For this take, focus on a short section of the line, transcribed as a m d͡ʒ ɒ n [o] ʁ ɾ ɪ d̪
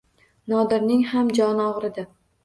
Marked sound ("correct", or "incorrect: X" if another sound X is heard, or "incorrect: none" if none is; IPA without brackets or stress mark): incorrect: ɒ